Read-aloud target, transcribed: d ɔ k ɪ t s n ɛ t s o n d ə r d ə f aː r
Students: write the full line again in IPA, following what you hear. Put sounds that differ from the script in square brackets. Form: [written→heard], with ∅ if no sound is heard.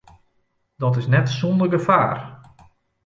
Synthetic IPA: d ɔ [k→t] ɪ [t→∅] s n ɛ t s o n d ə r [d→ɡ] ə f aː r